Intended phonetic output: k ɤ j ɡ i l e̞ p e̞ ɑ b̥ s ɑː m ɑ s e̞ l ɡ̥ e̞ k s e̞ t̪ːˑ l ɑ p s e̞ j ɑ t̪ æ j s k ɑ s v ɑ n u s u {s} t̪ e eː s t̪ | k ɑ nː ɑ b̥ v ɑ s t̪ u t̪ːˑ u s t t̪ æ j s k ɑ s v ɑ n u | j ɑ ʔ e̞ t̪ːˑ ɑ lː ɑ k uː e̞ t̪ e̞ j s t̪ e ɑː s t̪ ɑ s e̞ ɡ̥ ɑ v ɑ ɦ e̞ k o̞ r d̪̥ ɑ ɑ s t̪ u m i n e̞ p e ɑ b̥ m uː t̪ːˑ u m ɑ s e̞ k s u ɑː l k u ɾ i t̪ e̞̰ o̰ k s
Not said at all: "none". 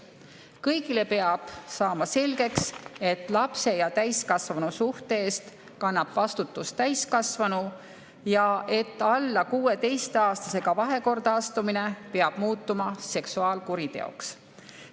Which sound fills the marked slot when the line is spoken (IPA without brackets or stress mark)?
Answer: h